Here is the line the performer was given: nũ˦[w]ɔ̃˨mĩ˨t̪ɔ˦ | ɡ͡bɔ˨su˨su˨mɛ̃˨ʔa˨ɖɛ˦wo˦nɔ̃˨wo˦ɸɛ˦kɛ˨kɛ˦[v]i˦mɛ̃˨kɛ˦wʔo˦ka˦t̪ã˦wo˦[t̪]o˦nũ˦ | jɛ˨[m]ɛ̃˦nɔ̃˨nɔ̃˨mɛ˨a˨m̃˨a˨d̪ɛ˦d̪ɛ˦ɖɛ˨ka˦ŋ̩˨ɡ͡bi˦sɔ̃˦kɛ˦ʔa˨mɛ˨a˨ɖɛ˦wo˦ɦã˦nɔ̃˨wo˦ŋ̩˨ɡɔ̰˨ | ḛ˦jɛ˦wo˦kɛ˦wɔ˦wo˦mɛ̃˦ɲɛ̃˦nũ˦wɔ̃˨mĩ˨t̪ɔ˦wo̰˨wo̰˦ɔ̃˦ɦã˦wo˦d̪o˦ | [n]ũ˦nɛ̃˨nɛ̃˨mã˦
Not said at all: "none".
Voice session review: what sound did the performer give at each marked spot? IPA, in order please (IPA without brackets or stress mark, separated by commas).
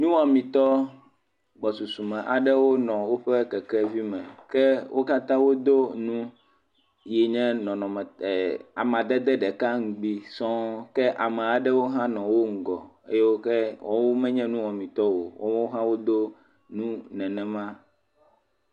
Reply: w, v, d̪, ɲ, n